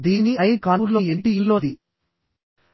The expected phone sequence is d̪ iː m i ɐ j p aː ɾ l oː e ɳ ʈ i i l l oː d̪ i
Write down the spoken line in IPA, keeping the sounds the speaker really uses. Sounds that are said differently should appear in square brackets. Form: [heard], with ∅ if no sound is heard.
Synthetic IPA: d̪ iː [n] i ɐ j [k] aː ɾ l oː e ɳ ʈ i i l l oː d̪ i